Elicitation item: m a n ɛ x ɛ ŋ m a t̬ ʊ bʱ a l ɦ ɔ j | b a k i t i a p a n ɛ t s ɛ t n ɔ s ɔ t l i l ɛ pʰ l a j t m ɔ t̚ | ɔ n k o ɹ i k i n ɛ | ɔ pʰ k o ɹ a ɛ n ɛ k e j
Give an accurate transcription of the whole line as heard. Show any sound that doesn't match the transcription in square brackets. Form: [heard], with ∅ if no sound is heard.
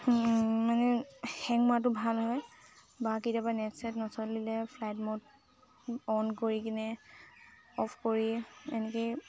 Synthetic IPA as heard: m a n ɛ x ɛ ŋ m a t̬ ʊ bʱ a l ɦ ɔ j | b a k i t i a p a n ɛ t s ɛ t n ɔ s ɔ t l i l ɛ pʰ l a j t m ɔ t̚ | ɔ n k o ɹ i k i n ɛ | ɔ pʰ k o ɹ [i] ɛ n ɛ k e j